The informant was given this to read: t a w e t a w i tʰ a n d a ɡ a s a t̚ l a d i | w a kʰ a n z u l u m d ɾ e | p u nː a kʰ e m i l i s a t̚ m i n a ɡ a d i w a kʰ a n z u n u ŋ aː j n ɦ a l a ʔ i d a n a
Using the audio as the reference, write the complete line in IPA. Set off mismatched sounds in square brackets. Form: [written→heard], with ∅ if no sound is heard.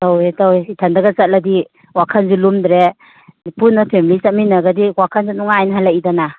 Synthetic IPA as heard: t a w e t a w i tʰ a n d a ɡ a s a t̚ l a d i | w a kʰ a n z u l u m d ɾ e | p u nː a [kʰ→pʰ] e m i l i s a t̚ m i n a ɡ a d i w a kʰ a n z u n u ŋ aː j n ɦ a l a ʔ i d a n a